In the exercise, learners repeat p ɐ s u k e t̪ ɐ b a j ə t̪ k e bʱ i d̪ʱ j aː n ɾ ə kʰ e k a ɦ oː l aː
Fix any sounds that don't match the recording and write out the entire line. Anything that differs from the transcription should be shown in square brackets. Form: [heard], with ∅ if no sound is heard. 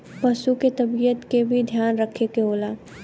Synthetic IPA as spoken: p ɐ s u k e t̪ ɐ b [i] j ə t̪ k e bʱ i d̪ʱ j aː n ɾ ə kʰ e k [e] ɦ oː l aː